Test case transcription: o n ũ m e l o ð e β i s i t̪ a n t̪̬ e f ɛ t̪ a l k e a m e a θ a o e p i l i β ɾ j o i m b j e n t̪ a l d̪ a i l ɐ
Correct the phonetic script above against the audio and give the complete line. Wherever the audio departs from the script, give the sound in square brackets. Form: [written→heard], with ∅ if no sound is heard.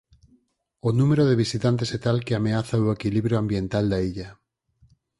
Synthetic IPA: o n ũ m e [l→ɾ] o ð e β i s i t̪ a n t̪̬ e [f→s] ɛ t̪ a l k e a m e a θ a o e [p→k] i l i β ɾ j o [i→a] m b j e n t̪ a l d̪ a i [l→ʎ] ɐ